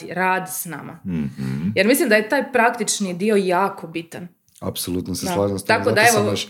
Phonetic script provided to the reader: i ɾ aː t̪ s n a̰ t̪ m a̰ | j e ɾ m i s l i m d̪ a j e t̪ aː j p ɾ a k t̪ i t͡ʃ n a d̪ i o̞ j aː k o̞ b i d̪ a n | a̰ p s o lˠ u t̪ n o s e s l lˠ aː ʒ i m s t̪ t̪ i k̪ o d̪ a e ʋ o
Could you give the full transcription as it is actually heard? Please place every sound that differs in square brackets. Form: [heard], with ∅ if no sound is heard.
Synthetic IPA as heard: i ɾ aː [d̪] s n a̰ [∅] m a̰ | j e ɾ m i s l i m d̪ a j e t̪ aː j p ɾ a k t̪ i t͡ʃ n [i] d̪ i o̞ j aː k o̞ b i [t̪] a n | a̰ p s o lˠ u t̪ n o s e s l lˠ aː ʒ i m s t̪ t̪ [a] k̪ o d̪ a e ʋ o